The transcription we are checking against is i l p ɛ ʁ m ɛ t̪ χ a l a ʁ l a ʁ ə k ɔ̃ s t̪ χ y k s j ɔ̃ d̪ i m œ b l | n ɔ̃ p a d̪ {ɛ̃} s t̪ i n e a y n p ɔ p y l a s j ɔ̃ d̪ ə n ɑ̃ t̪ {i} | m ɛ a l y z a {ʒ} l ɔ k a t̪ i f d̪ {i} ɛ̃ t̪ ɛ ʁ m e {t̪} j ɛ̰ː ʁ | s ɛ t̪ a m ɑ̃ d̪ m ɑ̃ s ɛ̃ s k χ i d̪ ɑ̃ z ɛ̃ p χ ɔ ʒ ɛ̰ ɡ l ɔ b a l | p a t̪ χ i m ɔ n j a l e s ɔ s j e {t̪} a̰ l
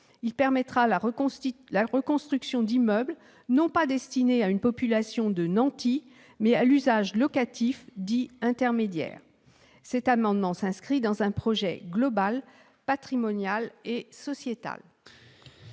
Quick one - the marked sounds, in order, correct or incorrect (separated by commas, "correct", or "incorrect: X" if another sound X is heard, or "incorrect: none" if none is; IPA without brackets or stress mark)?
incorrect: ɛ, correct, correct, correct, incorrect: d̪, correct